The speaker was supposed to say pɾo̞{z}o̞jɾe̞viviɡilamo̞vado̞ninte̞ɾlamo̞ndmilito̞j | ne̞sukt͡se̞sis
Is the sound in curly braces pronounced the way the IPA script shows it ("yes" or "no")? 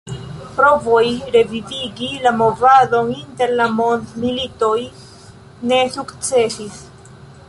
no